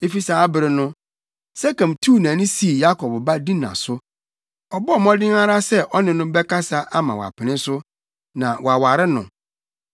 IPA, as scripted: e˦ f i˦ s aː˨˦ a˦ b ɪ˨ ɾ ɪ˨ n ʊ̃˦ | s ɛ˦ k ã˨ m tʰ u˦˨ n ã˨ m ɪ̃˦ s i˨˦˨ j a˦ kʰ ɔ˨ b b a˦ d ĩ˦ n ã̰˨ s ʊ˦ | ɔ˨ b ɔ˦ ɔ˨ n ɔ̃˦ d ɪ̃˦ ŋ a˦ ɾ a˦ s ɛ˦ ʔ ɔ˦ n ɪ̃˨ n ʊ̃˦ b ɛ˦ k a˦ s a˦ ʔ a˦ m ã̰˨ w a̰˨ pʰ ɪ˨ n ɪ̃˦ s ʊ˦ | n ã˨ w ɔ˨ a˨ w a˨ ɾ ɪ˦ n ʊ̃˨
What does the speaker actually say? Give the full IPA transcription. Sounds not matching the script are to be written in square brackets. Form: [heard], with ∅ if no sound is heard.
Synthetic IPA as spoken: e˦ f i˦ s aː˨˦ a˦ b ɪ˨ ɾ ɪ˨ n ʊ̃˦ | s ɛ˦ k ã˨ m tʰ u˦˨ n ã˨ [n] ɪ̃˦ s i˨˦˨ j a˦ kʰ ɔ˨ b b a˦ d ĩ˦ n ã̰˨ s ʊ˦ | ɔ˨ b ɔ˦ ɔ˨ [m] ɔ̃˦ d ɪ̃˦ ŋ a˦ ɾ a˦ s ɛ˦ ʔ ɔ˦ n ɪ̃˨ n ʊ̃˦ b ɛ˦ k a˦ s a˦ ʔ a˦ m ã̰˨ w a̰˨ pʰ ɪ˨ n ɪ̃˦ s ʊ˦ | n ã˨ w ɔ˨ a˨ w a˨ ɾ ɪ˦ n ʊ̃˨